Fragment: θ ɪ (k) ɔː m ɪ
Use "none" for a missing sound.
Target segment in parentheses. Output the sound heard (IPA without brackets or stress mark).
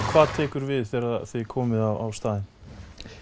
kʰ